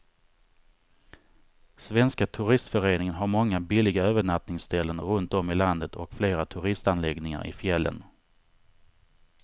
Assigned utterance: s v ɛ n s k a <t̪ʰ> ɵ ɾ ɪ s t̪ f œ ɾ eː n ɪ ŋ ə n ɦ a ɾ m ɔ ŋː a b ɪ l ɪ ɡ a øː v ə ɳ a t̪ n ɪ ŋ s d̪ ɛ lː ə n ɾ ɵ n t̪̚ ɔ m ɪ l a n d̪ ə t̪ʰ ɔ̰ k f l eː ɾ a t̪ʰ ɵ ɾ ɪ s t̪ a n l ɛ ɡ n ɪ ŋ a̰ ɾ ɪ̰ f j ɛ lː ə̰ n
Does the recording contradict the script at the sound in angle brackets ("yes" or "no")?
no